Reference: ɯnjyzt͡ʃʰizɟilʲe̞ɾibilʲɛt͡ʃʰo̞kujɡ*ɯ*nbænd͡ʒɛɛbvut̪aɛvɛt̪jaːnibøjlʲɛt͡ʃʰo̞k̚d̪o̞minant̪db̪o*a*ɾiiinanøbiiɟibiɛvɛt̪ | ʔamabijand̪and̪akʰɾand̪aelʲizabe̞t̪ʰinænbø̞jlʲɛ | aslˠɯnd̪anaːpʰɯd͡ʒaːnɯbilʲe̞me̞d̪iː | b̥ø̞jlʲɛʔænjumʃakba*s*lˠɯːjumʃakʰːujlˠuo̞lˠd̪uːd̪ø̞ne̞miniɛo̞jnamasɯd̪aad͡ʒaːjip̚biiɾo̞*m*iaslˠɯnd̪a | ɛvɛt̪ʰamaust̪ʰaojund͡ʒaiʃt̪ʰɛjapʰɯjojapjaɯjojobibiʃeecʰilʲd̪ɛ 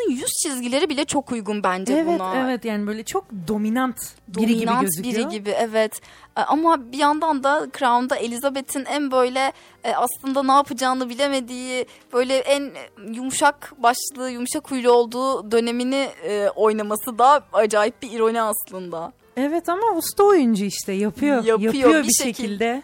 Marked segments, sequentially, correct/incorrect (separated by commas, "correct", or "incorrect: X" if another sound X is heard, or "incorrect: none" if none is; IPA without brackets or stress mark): incorrect: u, incorrect: i, incorrect: ʃ, incorrect: n